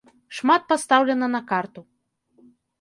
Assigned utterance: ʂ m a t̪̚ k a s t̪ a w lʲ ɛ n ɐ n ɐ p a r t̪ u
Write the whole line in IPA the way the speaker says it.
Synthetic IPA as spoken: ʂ m a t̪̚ p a s t̪ a w lʲ ɛ n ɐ n ɐ k a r t̪ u